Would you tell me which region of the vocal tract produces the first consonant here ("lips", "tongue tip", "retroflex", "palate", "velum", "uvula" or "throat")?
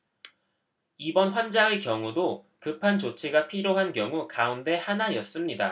lips